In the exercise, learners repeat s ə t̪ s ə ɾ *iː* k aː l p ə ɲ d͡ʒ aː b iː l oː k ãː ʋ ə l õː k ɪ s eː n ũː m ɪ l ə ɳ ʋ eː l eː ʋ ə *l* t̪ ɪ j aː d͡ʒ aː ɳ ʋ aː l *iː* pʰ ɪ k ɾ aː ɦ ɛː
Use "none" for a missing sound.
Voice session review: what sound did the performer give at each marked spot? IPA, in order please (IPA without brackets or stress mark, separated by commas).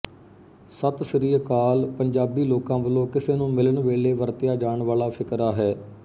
iː, ɾ, aː